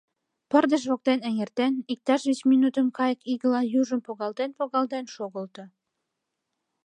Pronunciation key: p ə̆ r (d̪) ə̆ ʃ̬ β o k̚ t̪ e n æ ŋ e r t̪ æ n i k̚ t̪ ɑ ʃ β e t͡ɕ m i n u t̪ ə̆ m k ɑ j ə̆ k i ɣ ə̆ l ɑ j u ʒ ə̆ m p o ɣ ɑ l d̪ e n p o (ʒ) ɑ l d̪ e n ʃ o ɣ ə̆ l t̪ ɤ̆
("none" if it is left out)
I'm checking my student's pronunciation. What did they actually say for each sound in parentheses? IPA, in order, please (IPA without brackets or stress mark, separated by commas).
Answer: d̪, ɣ